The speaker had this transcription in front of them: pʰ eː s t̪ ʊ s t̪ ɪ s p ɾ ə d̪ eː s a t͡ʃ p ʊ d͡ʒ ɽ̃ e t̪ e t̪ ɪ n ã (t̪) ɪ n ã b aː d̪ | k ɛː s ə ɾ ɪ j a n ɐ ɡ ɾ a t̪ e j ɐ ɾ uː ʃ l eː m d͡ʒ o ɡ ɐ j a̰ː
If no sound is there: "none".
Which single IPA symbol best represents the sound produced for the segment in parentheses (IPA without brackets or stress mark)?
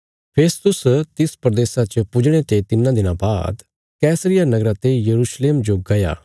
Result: d̪